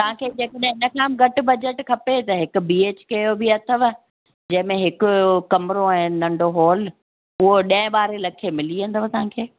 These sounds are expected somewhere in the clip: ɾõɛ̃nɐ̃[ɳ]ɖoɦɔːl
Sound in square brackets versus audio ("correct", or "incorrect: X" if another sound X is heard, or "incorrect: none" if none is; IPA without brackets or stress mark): correct